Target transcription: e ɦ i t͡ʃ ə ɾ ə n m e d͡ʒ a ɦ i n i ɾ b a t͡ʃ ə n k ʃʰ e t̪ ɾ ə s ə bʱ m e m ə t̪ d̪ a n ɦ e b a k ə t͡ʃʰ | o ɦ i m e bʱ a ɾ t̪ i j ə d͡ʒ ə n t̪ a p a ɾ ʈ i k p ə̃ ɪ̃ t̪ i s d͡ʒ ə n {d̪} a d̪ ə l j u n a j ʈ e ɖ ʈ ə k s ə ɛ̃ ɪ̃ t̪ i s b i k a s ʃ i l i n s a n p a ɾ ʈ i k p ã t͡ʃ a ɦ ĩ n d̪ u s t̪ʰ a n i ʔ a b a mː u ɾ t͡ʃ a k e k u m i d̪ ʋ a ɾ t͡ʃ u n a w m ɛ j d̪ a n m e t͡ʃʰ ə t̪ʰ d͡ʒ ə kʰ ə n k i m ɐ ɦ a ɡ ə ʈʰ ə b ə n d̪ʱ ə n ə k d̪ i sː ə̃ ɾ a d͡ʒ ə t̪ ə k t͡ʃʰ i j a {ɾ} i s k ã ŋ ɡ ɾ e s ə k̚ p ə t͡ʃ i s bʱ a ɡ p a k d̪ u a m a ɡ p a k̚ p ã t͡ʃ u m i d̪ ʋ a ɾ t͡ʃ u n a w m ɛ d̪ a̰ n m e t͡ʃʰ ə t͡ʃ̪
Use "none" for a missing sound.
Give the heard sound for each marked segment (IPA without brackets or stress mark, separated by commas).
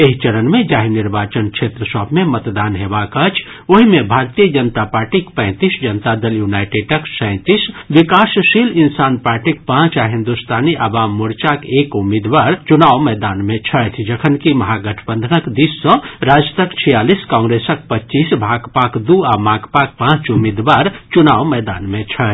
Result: t̪, l